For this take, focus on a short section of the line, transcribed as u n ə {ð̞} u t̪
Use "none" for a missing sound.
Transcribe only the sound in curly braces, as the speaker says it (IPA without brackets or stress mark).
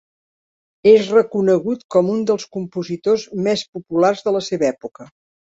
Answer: ɣ̞